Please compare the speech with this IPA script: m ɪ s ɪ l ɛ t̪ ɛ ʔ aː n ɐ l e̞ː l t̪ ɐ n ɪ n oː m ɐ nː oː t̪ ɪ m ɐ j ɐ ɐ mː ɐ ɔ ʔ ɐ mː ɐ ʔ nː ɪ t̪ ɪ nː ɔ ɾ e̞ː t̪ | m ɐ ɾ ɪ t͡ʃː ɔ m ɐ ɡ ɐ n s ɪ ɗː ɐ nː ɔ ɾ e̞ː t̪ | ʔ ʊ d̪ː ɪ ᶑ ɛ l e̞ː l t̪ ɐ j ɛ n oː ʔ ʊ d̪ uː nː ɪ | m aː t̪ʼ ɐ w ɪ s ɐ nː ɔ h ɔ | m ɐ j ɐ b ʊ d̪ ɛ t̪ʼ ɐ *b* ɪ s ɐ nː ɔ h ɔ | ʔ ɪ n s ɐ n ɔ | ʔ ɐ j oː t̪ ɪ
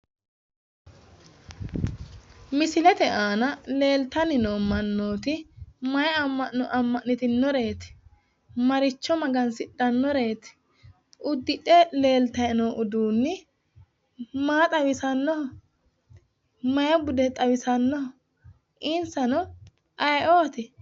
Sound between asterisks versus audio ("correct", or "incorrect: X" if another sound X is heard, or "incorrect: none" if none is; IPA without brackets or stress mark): incorrect: w